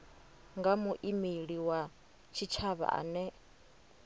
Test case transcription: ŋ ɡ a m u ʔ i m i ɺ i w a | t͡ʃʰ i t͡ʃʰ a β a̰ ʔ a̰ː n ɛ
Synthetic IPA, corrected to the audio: ŋ ɡ a m u ʔ i m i ɺ i w a | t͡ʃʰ i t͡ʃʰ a β a̰ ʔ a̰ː n ɛ